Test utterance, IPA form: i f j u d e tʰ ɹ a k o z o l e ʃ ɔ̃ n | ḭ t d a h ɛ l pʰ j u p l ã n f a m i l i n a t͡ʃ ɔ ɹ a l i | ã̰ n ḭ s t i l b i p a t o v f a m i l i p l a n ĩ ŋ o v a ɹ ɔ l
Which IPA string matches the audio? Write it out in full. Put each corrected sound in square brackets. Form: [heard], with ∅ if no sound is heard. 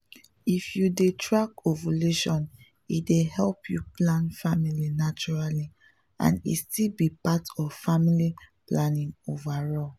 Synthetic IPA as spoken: i f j u d e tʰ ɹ a k o [v] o l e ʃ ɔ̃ n | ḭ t d [e] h ɛ l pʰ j u p l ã n f a m i l i n a t͡ʃ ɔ ɹ a l i | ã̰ n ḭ s t i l b i p a t [ɔ] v f a m i l i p l a n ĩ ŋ o v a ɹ ɔ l